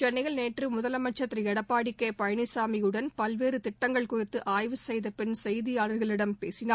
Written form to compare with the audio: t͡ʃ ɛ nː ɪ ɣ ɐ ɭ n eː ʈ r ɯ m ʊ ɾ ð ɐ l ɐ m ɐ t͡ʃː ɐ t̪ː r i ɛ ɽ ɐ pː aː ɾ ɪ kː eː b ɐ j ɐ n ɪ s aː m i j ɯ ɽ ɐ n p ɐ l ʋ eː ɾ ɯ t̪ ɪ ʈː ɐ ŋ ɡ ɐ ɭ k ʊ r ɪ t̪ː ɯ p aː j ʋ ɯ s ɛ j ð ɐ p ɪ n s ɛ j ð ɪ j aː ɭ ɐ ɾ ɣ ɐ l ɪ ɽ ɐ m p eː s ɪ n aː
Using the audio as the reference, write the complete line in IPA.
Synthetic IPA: t͡ʃ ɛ nː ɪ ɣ ɐ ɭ n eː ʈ r ɯ m ʊ ð ɐ l ɐ m ɐ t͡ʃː ɐ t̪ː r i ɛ ɽ ɐ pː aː ɽ ɪ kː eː p ɐ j ɐ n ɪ s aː m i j ɯ ɽ ɐ n p ɐ l ʋ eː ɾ ɯ t̪ ɪ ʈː ɐ ŋ ɡ ɐ ɭ k ʊ r ɪ t̪ː ɯ ʔ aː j ʋ ɯ s ɛ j ð ɐ p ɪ n s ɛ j ð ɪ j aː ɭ ɐ ɾ ɣ ɐ ɭ ɪ ɽ ɐ m p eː s ɪ n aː